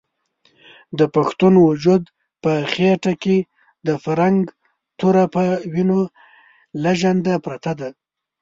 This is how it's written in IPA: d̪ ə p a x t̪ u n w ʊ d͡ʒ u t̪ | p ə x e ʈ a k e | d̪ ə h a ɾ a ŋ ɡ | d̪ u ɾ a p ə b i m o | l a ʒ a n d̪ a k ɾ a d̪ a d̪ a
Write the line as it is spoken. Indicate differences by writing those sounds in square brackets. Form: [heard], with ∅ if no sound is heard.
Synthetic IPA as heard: d̪ ə p a x t̪ u n w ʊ d͡ʒ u [d̪] | p ə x e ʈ a k e | d̪ ə [f] a ɾ a ŋ ɡ | [t̪] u ɾ a p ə [w] i [n] o | l a ʒ a n d̪ a [p] ɾ a [t̪] a d̪ a